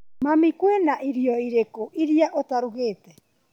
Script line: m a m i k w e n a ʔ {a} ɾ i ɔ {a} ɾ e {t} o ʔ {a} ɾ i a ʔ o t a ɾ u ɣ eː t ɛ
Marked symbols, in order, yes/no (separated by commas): no, no, no, no